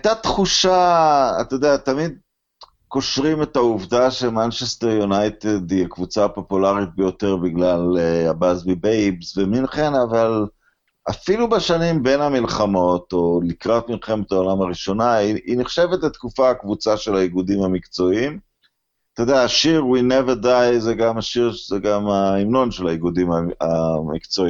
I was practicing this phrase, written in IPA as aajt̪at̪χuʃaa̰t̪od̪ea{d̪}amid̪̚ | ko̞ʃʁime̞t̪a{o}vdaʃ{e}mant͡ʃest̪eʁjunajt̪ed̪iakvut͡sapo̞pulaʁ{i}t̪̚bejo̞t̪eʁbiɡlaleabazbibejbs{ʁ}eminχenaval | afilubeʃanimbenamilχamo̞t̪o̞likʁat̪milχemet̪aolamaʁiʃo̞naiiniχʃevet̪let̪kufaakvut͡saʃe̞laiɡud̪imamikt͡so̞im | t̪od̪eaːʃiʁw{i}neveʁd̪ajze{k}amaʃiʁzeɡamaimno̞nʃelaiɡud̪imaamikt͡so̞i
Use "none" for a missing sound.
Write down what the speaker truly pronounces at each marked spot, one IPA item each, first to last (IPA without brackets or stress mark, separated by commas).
t̪, u, e, i, v, i, ɡ